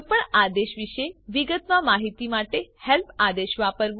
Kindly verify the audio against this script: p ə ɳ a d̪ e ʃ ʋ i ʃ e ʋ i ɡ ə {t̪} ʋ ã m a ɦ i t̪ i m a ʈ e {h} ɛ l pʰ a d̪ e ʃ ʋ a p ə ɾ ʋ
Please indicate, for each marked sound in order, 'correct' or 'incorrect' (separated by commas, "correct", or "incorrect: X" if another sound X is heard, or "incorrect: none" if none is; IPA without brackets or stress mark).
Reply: correct, correct